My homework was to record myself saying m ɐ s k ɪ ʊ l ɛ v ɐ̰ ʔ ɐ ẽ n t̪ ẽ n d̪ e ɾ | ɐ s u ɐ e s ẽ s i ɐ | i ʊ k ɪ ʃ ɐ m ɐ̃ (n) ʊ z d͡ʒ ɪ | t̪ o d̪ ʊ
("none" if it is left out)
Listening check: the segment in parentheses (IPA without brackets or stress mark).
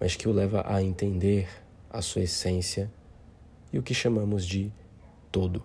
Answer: m